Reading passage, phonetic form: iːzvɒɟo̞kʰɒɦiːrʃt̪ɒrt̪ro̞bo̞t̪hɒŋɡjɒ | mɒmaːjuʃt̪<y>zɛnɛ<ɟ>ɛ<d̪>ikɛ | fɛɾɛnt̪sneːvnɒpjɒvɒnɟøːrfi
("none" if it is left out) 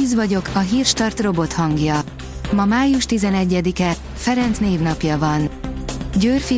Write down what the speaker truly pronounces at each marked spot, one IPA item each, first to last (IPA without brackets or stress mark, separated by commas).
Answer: i, ɟː, d̪